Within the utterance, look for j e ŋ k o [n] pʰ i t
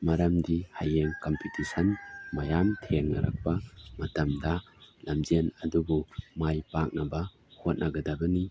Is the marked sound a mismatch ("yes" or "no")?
yes